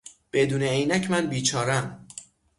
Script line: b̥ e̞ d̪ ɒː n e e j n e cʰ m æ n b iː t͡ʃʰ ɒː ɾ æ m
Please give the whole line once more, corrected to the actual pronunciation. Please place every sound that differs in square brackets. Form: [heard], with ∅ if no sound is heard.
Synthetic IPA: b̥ e̞ d̪ [uː] n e e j n [æ] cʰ m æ n b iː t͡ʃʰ ɒː ɾ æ m